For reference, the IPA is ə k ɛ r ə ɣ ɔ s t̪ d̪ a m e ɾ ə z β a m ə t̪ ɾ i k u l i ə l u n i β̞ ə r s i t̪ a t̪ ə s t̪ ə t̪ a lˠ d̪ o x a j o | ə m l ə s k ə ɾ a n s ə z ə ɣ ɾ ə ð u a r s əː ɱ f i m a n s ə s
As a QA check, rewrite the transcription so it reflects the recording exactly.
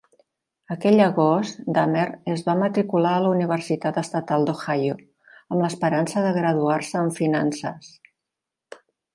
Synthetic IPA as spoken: ə k ɛ ʎ ə ɣ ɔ s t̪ d̪ a m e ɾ ə z β a m ə t̪ ɾ i k u l a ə l u n i β̞ ə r s i t̪ a t̪ ə s t̪ ə t̪ a lˠ d̪ o x a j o | ə m l ə s p ə ɾ a n s ə ð ə ɣ ɾ ə ð u a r s əː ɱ f i n a n s ə s